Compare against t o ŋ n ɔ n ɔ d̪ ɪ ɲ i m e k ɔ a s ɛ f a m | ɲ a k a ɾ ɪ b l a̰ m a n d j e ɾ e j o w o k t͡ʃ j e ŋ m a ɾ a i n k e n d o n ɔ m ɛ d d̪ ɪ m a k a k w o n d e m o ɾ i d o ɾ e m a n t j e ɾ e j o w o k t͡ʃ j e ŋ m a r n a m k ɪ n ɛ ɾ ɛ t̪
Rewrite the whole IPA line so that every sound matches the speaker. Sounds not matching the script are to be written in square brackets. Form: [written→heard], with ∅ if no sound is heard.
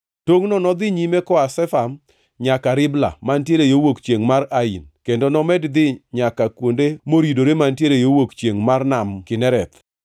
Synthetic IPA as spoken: t o ŋ n ɔ n ɔ d̪ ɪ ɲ i m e k ɔ a s ɛ f a m | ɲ a k a ɾ ɪ b l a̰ m a n [d→t] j e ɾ e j o w o k t͡ʃ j e ŋ m a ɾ a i n k e n d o n ɔ m ɛ d d̪ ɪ [m→ɲ] a k a k w o n d e m o ɾ i d o ɾ e m a n t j e ɾ e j o w o k t͡ʃ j e ŋ m a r n a m k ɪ n ɛ ɾ ɛ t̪